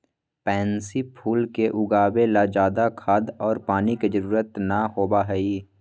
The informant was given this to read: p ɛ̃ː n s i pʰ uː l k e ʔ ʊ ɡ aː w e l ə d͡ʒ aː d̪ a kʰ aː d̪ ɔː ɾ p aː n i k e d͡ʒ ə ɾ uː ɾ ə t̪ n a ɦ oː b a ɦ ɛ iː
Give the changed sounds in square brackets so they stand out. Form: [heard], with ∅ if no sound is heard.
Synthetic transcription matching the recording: p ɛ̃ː n s i pʰ uː l k e ʔ ʊ ɡ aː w e l [a] d͡ʒ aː d̪ a kʰ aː d̪ ɔː ɾ p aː n i k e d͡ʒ ə ɾ uː ɾ ə t̪ n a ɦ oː b a ɦ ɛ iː